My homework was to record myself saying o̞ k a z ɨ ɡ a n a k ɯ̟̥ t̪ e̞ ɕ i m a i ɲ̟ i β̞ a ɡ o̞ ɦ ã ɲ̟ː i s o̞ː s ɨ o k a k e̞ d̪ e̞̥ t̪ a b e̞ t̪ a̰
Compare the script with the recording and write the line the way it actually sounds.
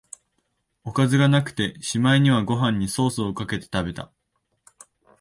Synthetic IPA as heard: o̞ k a z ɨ ɡ a n a k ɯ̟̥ t̪ e̞ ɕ i m a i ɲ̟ i β̞ a ɡ o̞ ɦ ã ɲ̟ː i s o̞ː s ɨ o k a k e̞ t̪ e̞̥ t̪ a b e̞ t̪ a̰